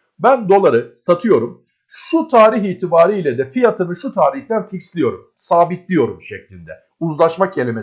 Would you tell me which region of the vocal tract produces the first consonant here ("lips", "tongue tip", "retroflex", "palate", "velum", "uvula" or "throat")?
lips